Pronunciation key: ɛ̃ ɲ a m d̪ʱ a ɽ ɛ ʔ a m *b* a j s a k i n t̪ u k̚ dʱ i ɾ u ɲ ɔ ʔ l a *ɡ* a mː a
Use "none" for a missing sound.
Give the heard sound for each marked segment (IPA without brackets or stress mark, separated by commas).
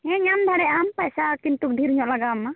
p, ɡ